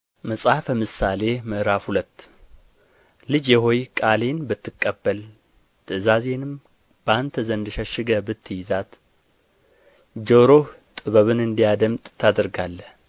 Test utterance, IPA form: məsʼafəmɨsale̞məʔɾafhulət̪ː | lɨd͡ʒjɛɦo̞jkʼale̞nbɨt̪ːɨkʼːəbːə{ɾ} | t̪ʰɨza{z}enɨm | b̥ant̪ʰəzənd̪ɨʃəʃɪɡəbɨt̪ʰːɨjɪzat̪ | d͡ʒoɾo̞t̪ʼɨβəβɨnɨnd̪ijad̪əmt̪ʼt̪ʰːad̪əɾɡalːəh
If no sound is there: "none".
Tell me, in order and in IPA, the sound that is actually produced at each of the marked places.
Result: l, z

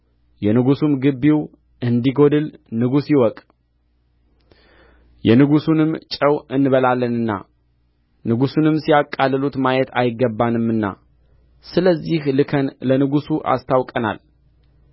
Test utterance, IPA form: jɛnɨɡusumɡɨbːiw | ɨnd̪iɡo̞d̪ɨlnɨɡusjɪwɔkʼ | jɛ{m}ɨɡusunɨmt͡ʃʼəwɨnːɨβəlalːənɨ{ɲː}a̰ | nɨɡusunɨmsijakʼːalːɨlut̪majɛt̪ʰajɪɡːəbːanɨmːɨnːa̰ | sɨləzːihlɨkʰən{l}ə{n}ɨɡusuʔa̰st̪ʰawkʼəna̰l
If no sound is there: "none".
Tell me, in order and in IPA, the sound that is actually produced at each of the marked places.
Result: n, nː, l, n

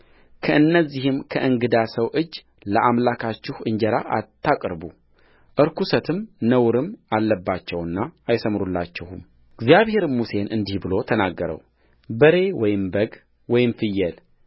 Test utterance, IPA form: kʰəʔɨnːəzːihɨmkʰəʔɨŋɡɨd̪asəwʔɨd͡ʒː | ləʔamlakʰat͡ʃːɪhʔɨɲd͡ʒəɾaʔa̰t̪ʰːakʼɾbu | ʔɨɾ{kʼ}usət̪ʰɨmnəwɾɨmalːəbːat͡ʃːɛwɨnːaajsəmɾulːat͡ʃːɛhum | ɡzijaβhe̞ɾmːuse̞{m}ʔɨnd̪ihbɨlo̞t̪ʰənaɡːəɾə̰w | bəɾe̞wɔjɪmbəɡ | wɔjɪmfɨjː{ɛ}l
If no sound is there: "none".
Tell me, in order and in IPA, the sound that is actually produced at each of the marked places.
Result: k, n, ɛ

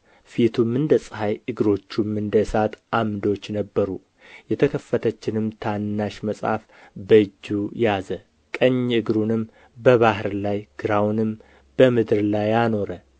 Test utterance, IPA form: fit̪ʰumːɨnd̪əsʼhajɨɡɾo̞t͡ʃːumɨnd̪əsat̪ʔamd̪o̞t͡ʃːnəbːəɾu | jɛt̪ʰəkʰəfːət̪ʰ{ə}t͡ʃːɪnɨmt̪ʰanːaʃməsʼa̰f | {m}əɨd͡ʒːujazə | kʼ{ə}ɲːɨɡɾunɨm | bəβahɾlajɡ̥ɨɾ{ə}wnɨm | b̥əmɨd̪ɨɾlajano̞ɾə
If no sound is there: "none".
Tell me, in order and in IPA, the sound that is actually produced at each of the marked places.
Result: ə, b, ə, a

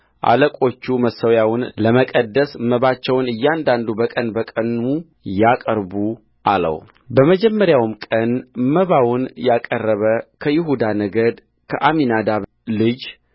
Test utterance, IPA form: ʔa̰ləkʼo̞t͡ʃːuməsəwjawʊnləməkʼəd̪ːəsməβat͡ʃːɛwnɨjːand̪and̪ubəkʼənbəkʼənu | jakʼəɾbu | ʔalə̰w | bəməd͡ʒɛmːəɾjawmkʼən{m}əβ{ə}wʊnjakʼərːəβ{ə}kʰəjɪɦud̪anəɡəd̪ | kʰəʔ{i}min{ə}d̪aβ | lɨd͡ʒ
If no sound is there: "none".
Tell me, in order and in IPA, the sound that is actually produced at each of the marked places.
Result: m, a, ə, a, a

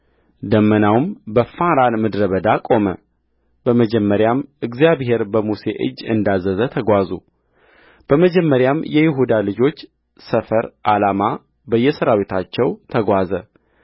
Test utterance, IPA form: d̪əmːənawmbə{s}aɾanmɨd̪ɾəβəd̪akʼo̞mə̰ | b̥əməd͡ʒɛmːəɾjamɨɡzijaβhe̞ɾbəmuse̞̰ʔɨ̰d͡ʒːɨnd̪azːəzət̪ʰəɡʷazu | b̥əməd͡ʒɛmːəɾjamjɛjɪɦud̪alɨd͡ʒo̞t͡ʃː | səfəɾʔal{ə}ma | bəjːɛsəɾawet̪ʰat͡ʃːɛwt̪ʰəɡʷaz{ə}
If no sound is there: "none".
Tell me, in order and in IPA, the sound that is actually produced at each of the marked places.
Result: f, a, ə

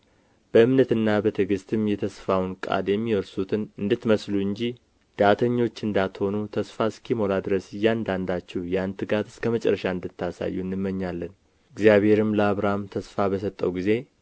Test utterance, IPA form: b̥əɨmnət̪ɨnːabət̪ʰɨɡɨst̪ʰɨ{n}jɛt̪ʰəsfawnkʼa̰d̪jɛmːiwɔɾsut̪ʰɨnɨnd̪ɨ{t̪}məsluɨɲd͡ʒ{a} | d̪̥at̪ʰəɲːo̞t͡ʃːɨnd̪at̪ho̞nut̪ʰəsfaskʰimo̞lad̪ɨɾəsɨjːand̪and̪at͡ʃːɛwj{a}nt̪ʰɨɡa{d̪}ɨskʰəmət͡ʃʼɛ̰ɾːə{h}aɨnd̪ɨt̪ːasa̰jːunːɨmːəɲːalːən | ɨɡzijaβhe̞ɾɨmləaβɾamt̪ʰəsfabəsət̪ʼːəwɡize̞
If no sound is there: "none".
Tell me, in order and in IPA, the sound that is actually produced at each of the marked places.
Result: m, t̪, i, a, t̪, ʃ

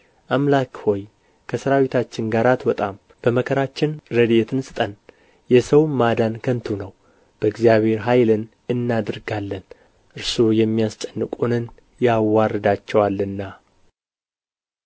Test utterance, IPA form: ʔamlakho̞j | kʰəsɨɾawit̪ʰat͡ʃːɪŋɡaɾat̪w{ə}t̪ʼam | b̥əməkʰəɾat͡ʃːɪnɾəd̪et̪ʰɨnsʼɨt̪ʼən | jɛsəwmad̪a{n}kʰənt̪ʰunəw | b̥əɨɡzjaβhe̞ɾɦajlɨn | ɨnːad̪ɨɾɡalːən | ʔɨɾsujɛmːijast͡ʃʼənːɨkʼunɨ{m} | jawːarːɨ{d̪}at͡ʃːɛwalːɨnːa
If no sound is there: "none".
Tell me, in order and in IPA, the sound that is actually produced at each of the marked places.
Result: ə, n, n, d̪

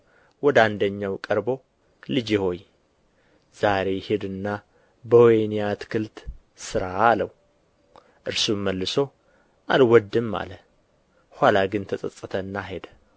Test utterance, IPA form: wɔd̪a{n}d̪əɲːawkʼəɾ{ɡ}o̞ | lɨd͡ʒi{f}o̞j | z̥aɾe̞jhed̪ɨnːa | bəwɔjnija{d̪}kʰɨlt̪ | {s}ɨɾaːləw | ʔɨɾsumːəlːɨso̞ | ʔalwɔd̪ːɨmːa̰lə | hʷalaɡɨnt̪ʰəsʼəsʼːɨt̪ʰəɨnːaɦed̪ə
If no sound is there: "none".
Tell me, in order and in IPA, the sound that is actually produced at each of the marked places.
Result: n, b, h, t̪, s

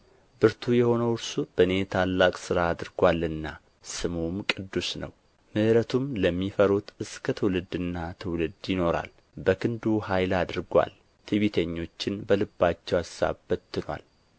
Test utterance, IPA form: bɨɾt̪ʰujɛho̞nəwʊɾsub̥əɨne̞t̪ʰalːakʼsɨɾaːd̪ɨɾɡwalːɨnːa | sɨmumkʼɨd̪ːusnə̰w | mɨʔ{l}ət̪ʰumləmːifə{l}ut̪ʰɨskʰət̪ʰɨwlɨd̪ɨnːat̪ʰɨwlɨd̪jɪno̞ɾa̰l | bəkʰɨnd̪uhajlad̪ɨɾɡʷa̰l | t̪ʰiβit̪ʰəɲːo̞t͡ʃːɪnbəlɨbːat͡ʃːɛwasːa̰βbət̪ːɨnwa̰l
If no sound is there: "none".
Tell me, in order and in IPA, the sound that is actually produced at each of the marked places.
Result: ɾ, ɾ

